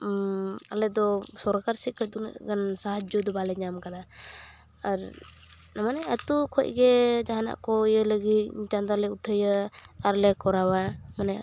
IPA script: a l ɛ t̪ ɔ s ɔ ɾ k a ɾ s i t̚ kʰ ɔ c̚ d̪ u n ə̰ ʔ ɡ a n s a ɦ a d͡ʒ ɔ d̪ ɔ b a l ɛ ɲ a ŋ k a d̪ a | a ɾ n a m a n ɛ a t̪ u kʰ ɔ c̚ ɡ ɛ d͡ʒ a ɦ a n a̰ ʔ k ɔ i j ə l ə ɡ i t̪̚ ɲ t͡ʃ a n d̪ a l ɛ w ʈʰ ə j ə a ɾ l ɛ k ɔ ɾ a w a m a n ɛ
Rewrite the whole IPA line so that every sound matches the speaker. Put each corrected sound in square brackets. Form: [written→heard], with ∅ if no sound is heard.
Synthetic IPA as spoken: a l ɛ [t̪→d̪] ɔ s ɔ ɾ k a ɾ s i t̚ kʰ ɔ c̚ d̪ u n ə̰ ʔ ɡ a n s a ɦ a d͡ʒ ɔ d̪ ɔ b a l ɛ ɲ a [ŋ→m] k a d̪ a | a ɾ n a m a n ɛ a t̪ u kʰ ɔ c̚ ɡ ɛ d͡ʒ a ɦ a n a̰ ʔ k ɔ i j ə l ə ɡ i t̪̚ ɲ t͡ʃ a n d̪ a l ɛ [w→u] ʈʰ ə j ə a ɾ l ɛ k ɔ ɾ a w a m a n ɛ

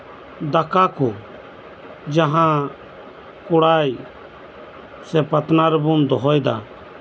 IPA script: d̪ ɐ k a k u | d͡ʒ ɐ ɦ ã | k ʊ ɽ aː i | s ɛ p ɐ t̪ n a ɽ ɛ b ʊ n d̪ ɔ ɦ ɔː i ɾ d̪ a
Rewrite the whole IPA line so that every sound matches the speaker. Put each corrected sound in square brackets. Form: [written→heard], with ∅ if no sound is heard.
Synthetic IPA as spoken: d̪ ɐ k a k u | d͡ʒ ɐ ɦ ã | k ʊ ɽ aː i | s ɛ p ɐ t̪ n a [ɽ→ɾ] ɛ b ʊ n d̪ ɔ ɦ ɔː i [ɾ→∅] d̪ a

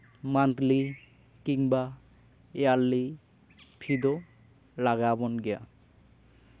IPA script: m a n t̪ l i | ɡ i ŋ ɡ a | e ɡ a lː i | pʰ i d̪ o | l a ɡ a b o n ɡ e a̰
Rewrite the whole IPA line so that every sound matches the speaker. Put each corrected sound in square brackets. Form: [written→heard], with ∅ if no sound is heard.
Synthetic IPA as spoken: m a n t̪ l i | [ɡ→k] i ŋ [ɡ→b] a | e [ɡ→∅] a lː i | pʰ i d̪ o | l a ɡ a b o n ɡ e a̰

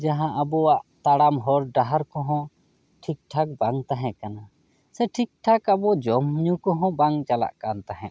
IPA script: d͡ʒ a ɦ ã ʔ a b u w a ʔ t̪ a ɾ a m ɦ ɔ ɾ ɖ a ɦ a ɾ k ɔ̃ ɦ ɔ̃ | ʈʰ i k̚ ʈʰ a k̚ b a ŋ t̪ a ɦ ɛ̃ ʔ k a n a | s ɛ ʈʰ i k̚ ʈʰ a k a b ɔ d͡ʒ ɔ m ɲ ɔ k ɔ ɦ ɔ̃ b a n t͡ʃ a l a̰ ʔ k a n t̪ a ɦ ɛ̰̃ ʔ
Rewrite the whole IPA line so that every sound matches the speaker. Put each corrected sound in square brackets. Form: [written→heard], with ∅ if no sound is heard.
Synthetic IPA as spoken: d͡ʒ a ɦ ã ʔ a b [u→ɔ] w a ʔ t̪ a [ɾ→ɽ] a m ɦ ɔ ɾ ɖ a ɦ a ɾ k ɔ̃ ɦ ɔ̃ | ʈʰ i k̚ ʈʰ a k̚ b a ŋ t̪ a ɦ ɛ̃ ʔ k a n a | s ɛ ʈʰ i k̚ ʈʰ a k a b ɔ d͡ʒ ɔ m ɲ [ɔ→u] k ɔ ɦ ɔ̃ b a [n→ŋ] t͡ʃ a l a̰ ʔ k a n t̪ a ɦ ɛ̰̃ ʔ

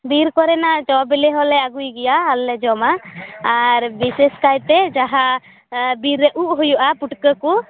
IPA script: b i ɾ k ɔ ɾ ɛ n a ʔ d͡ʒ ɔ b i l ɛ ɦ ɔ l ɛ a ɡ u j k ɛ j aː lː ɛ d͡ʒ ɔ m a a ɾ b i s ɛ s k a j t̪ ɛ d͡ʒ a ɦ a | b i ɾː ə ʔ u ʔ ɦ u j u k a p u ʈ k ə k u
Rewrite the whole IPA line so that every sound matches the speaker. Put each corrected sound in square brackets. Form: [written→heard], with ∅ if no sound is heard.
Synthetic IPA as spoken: b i ɾ k ɔ ɾ ɛ n a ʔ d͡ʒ ɔ b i l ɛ ɦ ɔ l ɛ a ɡ u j [k→ɡ] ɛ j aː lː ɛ d͡ʒ ɔ m a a ɾ b i s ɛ s k a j t̪ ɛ d͡ʒ a ɦ a | b i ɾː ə ʔ u ʔ ɦ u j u [k→ʔ] a p u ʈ k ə k u

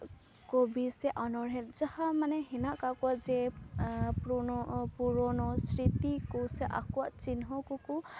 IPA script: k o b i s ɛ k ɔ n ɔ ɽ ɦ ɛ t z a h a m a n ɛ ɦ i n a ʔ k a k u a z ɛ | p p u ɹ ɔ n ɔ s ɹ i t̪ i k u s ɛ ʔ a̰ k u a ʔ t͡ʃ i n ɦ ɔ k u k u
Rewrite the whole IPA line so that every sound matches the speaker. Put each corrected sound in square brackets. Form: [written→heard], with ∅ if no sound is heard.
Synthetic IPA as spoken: k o b i s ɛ [k→ʔ] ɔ n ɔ [ɽ→ɹ] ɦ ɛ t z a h a m a n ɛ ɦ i n a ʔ k a k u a z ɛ | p p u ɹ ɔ n ɔ s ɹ i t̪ i k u s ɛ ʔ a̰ k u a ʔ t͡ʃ i n ɦ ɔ k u k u

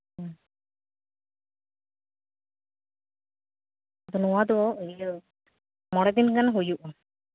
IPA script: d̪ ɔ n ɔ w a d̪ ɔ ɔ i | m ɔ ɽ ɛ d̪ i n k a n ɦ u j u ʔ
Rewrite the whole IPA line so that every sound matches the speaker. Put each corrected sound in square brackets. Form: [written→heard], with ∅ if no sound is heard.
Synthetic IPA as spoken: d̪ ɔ n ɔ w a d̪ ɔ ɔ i | m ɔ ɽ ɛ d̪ i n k a n ɦ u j u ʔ

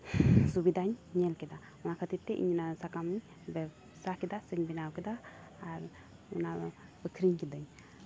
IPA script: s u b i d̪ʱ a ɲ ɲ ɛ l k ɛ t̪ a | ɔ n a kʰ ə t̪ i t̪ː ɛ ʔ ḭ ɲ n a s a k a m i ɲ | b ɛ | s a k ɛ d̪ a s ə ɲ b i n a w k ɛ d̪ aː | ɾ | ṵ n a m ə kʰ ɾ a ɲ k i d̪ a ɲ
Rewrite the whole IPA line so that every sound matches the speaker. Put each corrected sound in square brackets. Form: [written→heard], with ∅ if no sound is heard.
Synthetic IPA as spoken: s u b i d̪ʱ a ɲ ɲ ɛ l k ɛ [t̪→d̪] a | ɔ n a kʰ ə t̪ i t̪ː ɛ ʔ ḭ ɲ n a s a k a m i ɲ | b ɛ | s a k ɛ d̪ a s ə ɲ b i n a w k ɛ d̪ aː | ɾ | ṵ n a [m→b] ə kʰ ɾ [a→i] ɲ k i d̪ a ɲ

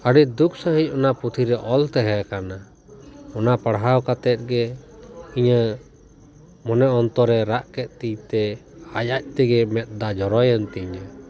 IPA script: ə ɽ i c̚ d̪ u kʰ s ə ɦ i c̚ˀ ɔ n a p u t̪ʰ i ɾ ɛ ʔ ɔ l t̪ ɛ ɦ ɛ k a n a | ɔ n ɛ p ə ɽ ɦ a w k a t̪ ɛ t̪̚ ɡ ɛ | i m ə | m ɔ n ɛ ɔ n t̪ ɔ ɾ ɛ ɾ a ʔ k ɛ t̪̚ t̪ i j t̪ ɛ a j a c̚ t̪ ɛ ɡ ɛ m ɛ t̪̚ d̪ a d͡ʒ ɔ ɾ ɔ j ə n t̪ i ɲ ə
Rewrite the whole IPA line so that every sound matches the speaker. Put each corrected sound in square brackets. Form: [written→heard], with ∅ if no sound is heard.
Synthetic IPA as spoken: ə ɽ i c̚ d̪ u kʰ s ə ɦ i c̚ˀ ɔ n a p u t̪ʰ i ɾ ɛ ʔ ɔ l t̪ ɛ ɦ ɛ k a n a | ɔ n [ɛ→a] p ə ɽ ɦ a w k a t̪ ɛ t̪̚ ɡ ɛ | i [m→ɲ] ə | m ɔ n ɛ ɔ n t̪ ɔ ɾ ɛ ɾ a ʔ k ɛ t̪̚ t̪ i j t̪ ɛ a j a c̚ t̪ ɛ ɡ ɛ m ɛ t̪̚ d̪ a d͡ʒ ɔ ɾ ɔ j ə n t̪ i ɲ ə

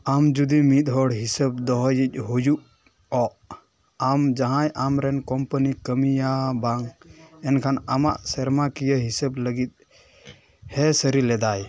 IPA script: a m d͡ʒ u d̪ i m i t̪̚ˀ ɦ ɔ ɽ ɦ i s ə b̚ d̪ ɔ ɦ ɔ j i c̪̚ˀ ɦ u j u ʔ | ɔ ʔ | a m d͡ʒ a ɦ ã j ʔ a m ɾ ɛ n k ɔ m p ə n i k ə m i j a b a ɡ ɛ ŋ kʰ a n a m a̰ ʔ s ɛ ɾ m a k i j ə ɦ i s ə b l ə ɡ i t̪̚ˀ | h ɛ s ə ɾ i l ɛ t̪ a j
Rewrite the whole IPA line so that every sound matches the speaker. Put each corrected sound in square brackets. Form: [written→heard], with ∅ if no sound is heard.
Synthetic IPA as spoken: a m d͡ʒ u d̪ i m i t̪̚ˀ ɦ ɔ ɽ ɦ i s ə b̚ d̪ ɔ ɦ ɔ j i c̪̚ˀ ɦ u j u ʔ | ɔ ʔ | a m d͡ʒ a ɦ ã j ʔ a m ɾ ɛ n k ɔ m p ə n i k ə m i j a b a [ɡ→ŋ] ɛ [ŋ→n] kʰ a n a m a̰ ʔ s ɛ ɾ m a k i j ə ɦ i s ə b l ə ɡ i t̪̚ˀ | h ɛ s ə ɾ i l ɛ [t̪→d̪] a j

